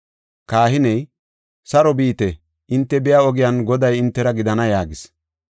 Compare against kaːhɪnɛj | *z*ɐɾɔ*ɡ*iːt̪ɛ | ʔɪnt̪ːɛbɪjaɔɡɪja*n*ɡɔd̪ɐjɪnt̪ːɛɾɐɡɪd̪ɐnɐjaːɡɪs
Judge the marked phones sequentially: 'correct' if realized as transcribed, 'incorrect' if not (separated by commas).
incorrect, incorrect, correct